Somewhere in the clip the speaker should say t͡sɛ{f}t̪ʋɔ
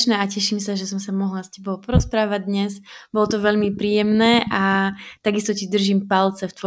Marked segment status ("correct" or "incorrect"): correct